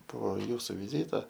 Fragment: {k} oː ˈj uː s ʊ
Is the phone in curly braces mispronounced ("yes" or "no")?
yes